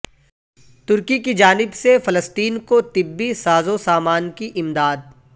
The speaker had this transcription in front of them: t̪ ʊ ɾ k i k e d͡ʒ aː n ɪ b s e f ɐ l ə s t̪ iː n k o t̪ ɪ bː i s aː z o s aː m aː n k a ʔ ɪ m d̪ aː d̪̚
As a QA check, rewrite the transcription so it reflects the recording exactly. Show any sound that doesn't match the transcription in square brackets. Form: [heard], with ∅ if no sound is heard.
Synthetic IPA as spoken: t̪ ʊ ɾ k i k [i] d͡ʒ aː n ɪ b s e f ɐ l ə s t̪ iː n k o t̪ ɪ bː i s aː z o s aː m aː n k [i] ʔ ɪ m d̪ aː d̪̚